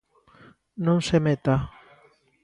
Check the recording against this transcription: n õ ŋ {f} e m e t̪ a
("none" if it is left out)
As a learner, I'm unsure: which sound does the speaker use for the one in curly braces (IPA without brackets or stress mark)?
s